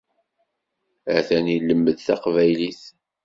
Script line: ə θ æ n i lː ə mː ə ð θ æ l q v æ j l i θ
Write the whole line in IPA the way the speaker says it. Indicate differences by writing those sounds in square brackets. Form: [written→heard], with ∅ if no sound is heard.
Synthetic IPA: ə θ æ n i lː ə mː ə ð θ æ [l→∅] q v æ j l i θ